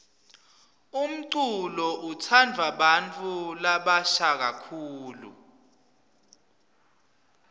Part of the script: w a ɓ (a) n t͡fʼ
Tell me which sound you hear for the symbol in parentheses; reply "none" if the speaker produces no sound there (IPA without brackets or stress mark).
a